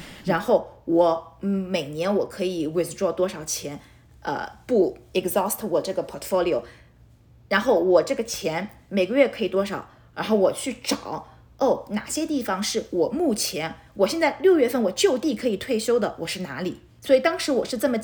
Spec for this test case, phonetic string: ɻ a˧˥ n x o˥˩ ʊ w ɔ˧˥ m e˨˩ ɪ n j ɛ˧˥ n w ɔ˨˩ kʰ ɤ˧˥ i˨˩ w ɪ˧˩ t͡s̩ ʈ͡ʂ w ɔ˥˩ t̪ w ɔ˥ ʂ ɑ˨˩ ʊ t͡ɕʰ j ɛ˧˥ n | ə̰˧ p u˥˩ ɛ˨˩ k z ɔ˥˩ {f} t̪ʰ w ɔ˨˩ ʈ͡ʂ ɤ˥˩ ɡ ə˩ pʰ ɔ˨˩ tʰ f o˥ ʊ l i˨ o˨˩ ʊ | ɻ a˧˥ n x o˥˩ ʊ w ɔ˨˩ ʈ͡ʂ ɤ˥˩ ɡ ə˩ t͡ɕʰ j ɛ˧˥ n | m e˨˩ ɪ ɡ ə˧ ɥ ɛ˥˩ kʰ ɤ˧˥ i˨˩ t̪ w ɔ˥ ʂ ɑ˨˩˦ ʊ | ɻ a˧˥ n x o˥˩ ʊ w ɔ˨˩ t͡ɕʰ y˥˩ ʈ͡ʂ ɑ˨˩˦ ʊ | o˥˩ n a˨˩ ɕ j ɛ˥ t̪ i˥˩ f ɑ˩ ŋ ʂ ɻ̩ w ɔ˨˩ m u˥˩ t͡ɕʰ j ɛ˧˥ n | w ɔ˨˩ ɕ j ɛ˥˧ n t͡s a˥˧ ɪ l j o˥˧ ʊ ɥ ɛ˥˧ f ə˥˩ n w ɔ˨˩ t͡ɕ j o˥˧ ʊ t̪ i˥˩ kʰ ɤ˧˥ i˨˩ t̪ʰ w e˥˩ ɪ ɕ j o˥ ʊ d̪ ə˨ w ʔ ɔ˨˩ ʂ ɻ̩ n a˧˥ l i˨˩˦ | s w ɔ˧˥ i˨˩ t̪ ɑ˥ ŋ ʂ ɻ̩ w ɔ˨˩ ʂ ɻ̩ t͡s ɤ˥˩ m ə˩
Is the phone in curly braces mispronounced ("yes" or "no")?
yes